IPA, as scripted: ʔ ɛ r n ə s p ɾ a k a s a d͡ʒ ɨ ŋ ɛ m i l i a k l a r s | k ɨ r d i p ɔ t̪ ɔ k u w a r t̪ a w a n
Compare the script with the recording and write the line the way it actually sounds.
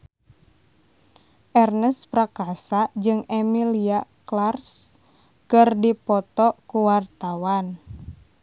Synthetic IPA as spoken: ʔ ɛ r n ə s p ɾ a k a s a d͡ʒ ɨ ŋ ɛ m i l i a k l a r s | k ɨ r d i p ɔ t̪ ɔ k u w a r t̪ a w a n